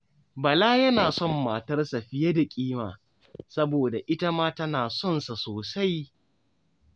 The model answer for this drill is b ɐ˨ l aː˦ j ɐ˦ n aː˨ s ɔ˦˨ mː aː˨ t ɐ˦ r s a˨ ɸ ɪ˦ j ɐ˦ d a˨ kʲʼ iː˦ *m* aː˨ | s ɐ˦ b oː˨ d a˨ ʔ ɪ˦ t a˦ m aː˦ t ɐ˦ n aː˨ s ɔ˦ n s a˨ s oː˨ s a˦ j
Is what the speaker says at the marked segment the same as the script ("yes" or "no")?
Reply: yes